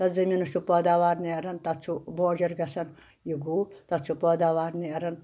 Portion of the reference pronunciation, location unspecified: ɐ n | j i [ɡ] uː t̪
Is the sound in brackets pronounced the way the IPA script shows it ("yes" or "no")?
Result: yes